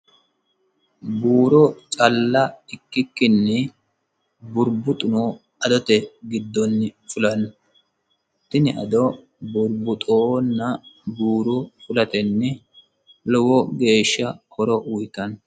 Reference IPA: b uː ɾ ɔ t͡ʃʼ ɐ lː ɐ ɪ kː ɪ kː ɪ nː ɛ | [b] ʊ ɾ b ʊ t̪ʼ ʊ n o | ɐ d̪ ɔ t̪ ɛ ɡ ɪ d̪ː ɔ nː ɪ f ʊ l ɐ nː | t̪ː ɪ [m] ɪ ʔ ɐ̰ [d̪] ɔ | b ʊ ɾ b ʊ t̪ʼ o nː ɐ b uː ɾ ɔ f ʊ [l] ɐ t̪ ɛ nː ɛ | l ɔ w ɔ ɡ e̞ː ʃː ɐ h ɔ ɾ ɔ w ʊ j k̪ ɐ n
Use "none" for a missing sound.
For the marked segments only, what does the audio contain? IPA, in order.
b, n, d̪, l

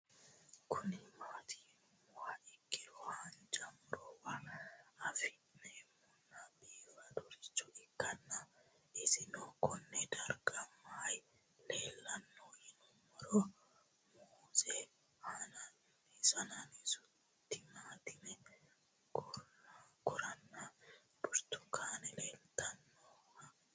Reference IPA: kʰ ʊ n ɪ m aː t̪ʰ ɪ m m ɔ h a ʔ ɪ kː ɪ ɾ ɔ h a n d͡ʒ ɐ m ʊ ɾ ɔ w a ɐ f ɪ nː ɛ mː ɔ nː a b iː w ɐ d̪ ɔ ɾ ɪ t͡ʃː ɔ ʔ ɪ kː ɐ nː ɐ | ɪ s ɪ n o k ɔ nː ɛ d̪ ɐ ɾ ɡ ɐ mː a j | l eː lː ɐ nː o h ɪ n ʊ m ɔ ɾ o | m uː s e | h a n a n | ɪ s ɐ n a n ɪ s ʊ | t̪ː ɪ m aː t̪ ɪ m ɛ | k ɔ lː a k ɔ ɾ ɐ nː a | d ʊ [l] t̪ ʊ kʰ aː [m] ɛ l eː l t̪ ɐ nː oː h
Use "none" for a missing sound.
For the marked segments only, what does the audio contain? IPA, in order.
ɾ, n

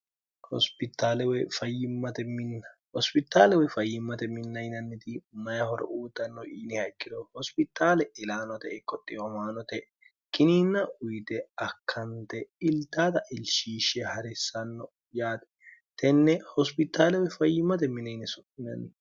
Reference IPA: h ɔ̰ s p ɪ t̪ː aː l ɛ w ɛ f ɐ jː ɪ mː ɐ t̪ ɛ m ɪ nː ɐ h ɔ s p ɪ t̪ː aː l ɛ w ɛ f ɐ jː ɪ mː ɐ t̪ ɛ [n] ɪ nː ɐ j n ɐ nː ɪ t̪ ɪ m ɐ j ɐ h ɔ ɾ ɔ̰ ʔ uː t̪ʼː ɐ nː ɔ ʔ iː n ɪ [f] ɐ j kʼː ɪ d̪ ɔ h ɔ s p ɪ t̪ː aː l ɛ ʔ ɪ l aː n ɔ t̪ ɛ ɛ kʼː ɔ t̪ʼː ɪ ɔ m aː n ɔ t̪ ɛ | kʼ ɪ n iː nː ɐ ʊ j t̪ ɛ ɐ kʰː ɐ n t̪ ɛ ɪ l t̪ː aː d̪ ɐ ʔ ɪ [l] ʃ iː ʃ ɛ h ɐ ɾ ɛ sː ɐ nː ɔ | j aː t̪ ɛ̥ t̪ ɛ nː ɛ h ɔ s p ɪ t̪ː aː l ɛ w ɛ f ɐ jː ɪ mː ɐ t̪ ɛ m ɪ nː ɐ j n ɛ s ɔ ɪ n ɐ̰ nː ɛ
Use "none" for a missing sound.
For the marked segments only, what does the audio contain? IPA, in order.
m, h, l

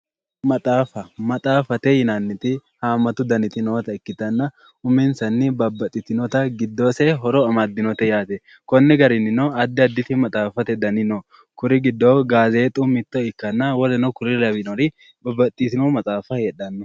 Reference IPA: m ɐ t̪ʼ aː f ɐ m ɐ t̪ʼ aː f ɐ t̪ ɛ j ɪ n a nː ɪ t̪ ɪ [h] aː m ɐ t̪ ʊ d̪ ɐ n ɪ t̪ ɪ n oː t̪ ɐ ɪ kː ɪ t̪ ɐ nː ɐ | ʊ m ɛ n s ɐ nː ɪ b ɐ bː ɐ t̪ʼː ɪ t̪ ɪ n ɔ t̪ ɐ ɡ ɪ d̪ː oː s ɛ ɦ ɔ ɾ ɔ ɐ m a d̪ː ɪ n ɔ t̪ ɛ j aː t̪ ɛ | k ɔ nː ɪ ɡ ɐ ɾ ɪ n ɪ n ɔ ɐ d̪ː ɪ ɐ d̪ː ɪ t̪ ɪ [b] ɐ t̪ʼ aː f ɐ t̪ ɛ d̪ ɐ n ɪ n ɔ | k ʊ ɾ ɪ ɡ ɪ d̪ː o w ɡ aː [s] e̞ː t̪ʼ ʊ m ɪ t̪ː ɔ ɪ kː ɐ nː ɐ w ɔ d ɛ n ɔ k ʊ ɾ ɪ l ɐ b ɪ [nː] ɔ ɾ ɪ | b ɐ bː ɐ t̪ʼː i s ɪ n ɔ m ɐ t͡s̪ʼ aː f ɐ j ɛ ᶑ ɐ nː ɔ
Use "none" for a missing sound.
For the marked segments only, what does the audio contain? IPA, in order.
h, m, z, n

